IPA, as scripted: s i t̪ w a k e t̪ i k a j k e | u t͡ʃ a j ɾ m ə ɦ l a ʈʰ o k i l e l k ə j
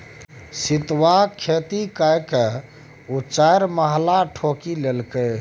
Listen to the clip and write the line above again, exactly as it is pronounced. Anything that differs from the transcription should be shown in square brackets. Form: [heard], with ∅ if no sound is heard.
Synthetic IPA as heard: s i t̪ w a [kʰ] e t̪ i k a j k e | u t͡ʃ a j ɾ m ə ɦ l a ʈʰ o k i l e l k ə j